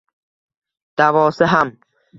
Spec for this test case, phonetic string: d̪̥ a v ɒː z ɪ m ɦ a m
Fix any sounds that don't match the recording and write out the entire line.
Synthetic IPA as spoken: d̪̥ a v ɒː s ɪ ɦ a m